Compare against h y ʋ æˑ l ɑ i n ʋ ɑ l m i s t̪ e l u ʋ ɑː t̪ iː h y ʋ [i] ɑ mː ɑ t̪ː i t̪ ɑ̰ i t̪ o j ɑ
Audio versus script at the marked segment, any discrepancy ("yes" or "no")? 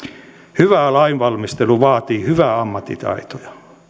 yes